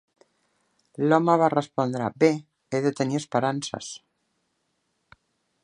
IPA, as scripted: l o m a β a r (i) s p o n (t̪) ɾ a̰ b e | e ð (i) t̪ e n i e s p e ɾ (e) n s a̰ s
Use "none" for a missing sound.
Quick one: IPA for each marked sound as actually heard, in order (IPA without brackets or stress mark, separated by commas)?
e, d̪, e, a